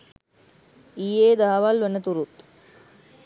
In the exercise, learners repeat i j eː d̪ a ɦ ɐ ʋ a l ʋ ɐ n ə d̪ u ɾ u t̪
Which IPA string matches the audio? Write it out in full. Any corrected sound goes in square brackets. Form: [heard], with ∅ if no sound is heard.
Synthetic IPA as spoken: i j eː d̪ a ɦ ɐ ʋ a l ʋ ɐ n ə [t̪] u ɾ u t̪